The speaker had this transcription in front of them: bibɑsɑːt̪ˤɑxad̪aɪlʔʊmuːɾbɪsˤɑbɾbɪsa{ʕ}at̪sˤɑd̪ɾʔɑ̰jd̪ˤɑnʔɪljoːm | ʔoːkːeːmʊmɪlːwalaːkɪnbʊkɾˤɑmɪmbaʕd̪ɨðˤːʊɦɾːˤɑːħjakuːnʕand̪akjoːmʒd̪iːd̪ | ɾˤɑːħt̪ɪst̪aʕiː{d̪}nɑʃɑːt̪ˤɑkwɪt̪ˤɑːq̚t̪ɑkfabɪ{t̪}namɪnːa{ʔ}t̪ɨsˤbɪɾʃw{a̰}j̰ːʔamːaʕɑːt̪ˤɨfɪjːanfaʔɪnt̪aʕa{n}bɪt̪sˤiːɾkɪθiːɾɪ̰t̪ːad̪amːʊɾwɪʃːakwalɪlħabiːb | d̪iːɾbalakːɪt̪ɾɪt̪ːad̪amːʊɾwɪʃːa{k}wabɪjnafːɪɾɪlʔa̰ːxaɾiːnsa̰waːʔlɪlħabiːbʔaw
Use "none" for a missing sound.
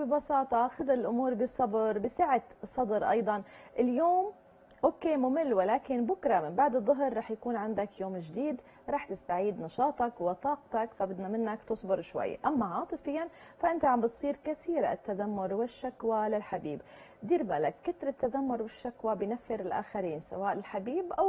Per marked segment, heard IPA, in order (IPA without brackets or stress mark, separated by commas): ʕ, d̪, d̪, k, a̰, m, k